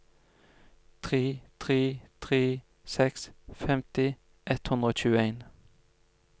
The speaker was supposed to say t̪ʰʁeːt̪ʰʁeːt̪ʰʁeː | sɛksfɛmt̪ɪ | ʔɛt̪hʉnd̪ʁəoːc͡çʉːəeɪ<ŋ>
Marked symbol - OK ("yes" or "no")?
no